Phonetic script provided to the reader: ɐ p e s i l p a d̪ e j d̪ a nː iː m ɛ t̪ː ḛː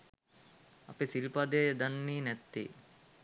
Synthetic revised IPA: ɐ p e s i l p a d̪ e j d̪ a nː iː n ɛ t̪ː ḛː